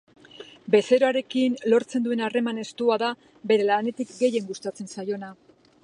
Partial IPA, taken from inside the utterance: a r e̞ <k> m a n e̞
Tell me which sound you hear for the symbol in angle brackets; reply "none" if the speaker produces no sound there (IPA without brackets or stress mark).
none